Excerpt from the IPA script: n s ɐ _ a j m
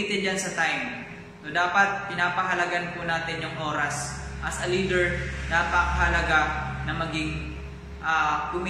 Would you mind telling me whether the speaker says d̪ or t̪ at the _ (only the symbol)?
t̪